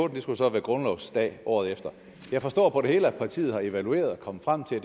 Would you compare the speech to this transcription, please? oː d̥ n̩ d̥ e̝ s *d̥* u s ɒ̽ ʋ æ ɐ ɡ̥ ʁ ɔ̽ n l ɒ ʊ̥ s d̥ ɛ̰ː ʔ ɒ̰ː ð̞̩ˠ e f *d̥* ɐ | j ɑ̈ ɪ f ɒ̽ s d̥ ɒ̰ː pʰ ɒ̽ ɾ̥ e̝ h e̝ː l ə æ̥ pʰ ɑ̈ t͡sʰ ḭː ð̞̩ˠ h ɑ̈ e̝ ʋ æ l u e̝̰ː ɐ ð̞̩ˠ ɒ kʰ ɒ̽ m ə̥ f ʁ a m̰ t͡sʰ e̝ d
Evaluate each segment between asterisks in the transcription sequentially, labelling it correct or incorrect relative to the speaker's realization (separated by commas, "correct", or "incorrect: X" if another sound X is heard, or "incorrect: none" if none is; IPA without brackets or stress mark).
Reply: incorrect: ɡ̥, correct